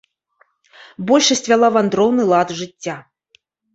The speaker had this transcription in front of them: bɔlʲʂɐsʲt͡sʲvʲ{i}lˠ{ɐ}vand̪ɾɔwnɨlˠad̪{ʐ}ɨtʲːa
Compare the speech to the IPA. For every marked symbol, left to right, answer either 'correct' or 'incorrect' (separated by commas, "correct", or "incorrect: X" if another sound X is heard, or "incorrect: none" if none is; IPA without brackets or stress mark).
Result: incorrect: a, incorrect: a, correct